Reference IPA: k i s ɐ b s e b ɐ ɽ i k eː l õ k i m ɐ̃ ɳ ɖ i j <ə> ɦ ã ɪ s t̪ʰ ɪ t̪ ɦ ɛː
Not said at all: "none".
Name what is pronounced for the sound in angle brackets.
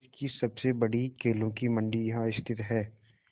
ɐ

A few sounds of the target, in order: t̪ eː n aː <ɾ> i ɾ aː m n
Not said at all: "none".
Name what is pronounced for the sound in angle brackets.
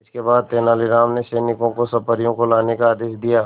l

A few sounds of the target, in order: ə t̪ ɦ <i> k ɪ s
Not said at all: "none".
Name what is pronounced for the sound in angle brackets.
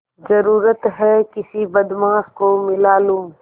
ɛ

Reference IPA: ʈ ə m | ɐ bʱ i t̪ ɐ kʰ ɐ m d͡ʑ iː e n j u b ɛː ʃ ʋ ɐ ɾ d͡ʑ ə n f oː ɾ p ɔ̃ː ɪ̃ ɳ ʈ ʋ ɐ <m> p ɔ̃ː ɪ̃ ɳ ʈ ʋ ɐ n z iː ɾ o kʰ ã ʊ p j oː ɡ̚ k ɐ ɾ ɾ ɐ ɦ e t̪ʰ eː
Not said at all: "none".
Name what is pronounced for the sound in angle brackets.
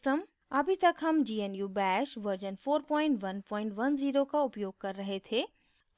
n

